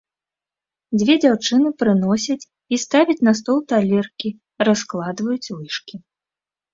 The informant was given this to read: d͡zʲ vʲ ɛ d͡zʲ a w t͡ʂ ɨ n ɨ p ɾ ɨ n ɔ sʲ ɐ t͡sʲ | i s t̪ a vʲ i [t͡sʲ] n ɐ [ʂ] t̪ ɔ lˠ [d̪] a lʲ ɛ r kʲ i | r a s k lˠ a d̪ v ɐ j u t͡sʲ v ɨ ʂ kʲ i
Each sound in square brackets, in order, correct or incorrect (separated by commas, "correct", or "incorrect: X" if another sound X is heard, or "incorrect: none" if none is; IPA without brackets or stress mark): correct, incorrect: s, incorrect: t̪